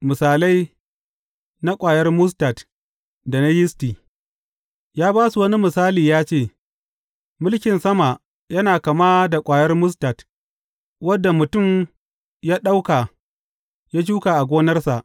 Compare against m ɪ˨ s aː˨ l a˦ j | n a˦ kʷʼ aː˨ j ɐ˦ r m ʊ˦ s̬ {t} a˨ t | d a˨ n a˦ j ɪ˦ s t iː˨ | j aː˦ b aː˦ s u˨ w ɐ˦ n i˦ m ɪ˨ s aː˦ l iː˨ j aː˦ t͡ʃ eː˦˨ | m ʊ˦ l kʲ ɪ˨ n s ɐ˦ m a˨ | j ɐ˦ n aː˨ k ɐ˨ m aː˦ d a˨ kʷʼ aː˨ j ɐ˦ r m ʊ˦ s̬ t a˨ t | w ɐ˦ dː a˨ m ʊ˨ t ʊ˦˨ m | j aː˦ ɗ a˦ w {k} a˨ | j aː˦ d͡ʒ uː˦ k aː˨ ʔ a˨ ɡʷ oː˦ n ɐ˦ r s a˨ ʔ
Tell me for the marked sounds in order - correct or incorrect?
correct, correct

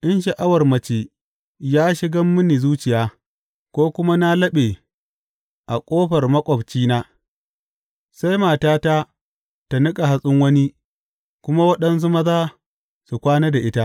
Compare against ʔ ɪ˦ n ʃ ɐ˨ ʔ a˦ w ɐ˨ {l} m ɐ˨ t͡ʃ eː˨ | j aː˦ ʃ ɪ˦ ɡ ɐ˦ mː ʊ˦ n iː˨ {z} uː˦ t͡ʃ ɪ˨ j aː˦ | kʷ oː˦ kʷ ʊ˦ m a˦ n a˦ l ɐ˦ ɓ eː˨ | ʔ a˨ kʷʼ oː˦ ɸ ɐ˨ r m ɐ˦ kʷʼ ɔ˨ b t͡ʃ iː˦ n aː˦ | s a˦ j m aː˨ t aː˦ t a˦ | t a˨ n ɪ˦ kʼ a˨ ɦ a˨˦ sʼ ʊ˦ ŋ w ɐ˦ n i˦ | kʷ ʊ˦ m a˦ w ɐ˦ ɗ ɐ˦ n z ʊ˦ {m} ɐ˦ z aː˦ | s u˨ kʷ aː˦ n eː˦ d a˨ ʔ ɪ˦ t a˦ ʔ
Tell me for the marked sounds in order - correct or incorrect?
incorrect: r, correct, correct

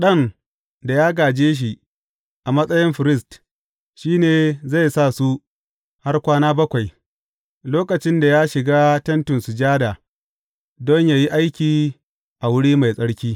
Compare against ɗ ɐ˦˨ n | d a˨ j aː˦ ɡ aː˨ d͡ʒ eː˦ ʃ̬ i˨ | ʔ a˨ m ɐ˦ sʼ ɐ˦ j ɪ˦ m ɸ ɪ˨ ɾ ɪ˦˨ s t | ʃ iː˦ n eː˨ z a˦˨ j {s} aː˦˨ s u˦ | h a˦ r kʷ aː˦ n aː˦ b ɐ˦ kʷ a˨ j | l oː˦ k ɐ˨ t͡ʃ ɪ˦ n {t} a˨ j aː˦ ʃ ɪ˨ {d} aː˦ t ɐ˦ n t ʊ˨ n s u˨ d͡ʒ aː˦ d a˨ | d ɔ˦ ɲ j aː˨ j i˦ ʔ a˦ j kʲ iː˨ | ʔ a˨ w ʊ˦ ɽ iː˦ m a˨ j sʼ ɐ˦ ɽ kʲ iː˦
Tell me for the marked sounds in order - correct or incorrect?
correct, incorrect: d, incorrect: ɡ

